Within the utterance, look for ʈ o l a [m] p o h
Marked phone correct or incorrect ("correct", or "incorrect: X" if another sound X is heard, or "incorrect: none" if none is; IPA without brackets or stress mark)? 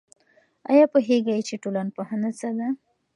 incorrect: n